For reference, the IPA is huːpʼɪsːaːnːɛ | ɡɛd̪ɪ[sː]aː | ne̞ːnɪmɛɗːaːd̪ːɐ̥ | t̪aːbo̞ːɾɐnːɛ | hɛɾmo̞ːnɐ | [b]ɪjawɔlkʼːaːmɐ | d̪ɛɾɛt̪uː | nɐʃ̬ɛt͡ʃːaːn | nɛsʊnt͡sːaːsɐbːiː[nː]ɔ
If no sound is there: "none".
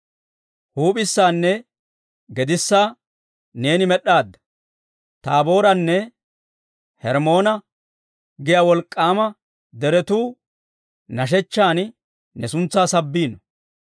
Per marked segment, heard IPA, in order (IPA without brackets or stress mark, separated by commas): sː, ɡ, n